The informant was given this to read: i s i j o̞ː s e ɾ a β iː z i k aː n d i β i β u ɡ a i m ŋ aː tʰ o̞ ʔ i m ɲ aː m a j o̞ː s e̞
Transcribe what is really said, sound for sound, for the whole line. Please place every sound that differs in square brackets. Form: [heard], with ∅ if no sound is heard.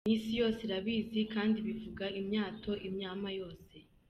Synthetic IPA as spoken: i s i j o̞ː s e ɾ a β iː z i k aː n d i β i [v] u ɡ a i m [ɲ] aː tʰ o̞ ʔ i m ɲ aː m a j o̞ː s e̞